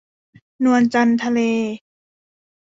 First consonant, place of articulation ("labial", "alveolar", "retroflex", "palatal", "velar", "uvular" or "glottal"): alveolar